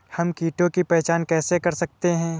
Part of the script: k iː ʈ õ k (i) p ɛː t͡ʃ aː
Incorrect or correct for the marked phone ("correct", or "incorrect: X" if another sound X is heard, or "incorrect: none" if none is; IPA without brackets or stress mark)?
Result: correct